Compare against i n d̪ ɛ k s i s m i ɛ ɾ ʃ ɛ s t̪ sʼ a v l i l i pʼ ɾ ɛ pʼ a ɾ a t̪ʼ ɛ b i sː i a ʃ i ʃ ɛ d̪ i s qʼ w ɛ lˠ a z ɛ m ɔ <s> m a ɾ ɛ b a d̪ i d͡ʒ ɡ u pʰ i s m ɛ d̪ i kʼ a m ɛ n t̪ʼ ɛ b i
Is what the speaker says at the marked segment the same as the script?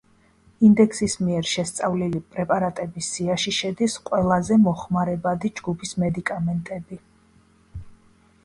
no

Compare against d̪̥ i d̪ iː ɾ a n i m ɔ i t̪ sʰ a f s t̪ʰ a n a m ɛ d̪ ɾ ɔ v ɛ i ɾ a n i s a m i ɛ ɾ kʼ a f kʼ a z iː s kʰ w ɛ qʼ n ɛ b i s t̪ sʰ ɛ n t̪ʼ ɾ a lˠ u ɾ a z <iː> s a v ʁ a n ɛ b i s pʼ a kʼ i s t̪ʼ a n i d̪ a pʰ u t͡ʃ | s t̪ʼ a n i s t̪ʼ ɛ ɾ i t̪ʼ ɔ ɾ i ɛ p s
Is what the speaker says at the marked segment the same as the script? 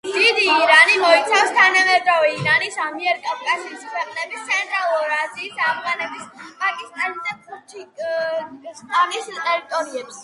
yes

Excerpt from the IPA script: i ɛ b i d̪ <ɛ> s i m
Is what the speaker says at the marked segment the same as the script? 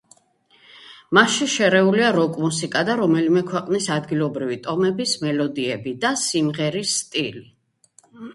no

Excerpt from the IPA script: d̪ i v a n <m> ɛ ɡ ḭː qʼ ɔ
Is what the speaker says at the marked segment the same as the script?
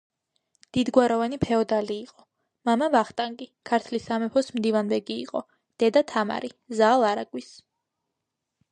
no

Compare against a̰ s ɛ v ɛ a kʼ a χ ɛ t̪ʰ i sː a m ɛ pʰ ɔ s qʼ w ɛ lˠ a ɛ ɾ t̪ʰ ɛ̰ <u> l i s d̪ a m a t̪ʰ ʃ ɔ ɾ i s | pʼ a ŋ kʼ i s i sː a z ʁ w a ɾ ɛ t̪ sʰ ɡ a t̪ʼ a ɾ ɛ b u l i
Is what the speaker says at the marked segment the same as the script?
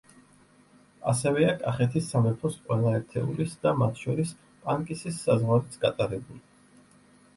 yes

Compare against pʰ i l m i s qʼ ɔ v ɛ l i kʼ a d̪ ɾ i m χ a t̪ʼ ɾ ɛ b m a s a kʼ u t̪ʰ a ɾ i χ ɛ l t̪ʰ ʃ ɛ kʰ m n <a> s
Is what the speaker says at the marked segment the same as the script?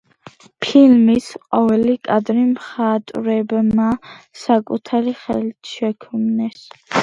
no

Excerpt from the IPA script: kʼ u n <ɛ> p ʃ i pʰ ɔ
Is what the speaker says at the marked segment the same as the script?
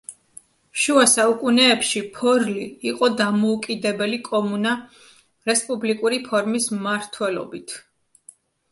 no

